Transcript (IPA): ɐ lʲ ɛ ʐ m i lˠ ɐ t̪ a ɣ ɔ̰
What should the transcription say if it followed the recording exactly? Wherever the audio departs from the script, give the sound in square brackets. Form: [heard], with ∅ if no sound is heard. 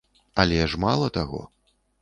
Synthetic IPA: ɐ lʲ ɛ ʐ m [a] lˠ ɐ t̪ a ɣ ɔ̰